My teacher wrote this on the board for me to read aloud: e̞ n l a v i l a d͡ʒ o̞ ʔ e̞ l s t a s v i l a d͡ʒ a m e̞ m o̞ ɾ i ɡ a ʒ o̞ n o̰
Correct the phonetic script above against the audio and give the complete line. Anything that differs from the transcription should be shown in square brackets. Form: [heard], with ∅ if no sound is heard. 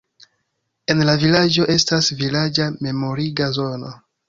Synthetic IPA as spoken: e̞ n l a v i l a d͡ʒ o̞ ʔ e̞ [∅] s t a s v i l a d͡ʒ a m e̞ m o̞ ɾ i ɡ a [z] o̞ n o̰